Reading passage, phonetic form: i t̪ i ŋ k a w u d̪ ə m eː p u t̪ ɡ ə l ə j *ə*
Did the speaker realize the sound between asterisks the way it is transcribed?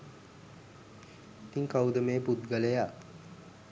no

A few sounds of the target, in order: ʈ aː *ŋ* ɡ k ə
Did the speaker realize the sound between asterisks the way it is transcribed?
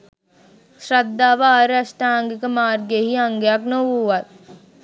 yes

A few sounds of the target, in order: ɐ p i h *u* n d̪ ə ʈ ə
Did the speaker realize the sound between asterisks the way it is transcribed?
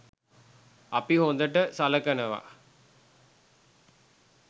no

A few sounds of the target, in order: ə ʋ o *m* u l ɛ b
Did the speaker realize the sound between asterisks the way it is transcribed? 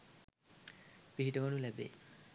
no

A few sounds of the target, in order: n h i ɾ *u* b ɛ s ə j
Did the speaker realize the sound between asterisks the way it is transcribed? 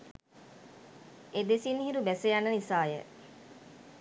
yes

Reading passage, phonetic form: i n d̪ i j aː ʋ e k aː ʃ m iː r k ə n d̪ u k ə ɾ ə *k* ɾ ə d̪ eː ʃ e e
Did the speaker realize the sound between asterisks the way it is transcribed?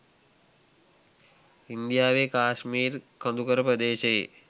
no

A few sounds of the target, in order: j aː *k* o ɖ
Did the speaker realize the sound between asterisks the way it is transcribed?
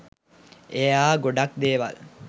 no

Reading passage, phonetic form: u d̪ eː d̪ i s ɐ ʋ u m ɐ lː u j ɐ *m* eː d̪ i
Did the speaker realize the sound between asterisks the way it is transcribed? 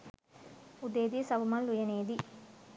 no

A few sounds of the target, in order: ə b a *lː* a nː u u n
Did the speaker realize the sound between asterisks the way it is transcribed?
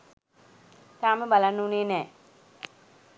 no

